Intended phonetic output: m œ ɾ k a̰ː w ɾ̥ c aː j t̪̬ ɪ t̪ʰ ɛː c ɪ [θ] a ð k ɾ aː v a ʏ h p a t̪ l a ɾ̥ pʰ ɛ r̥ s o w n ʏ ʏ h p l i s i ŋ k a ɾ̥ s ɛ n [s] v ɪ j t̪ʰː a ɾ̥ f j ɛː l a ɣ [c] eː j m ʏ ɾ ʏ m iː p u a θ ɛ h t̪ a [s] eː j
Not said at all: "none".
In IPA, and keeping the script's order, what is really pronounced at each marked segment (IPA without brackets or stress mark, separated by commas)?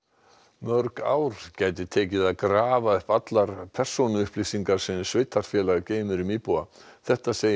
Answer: ð, s, c, s